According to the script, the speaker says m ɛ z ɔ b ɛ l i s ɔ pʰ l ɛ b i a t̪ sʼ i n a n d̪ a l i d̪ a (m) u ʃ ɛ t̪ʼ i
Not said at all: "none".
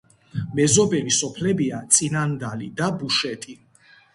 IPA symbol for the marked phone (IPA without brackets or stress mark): b